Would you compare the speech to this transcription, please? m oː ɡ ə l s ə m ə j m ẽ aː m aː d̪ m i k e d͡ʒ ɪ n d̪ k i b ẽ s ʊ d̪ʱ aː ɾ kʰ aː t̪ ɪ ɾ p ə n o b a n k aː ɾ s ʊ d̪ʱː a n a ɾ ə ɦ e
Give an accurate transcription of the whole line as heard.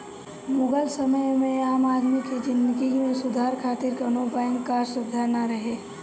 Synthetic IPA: m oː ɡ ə l s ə m ə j m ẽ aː m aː d̪ m i k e d͡ʒ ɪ n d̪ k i m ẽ s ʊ d̪ʱ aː ɾ kʰ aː t̪ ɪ ɾ k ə n o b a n k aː ɾ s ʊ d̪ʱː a n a ɾ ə ɦ e

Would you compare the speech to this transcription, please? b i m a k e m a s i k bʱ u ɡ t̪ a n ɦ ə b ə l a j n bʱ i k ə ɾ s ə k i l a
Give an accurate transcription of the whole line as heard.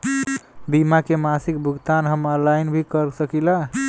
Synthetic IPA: b i m a k e m a s i k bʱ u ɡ t̪ a n ɦ ə m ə l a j n bʱ i k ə ɾ s ə k i l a

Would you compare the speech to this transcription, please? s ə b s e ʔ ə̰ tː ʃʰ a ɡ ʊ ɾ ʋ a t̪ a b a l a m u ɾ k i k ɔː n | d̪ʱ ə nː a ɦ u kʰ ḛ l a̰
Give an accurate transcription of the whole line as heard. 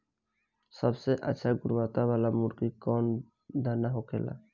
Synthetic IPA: s ə b s e ʔ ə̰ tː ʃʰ a ɡ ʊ ɾ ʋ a t̪ a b a l a m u ɾ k i k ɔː n | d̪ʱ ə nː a ɦ o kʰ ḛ l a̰

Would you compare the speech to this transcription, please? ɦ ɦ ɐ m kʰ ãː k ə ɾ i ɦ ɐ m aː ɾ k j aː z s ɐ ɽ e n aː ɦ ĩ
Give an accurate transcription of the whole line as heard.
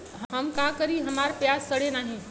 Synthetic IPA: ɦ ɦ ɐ m k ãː k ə ɾ i ɦ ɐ m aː ɾ p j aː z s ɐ ɽ e n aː ɦ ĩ

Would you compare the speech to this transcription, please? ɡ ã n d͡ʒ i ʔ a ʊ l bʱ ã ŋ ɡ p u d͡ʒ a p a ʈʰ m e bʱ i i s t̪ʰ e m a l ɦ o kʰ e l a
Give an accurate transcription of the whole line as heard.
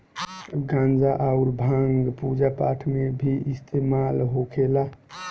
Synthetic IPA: ɡ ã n d͡ʒ a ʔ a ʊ ɾ bʱ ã ŋ ɡ p u d͡ʒ a p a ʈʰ m e bʱ i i s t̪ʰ e m a l ɦ o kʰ e l a

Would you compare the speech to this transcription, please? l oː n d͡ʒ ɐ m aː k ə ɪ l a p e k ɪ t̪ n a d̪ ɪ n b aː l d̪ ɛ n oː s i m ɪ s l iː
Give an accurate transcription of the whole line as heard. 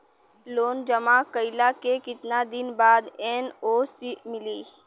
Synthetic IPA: l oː n d͡ʒ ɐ m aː k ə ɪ l a k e k ɪ t̪ n a d̪ ɪ n b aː d̪ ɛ n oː s i m ɪ l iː

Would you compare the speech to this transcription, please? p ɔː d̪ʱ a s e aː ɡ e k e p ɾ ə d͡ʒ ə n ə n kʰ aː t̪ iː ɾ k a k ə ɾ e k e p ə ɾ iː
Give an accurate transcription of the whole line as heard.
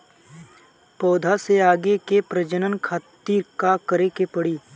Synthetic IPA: p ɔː d̪ʱ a s e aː ɡ e k e p ɾ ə d͡ʒ ə n ə n kʰ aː t̪ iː ɾ k a k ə ɾ e k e p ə ɽ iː

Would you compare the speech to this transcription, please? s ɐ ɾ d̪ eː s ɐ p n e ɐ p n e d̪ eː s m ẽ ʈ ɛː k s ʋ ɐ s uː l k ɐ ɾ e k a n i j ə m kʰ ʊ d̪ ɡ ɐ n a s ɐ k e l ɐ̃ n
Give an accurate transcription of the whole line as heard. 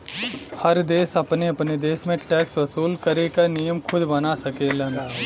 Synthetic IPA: h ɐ ɾ d̪ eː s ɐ p n e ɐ p n e d̪ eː s m ẽ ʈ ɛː k s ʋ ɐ s uː l k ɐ ɾ e k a n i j ə m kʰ ʊ d̪ b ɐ n a s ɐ k e l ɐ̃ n

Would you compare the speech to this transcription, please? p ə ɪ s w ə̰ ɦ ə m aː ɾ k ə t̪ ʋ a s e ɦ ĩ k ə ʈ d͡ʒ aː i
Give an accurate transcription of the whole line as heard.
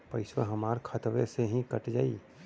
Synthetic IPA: p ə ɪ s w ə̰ ɦ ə m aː ɾ kʰ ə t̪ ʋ e s e ɦ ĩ k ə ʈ d͡ʒ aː i

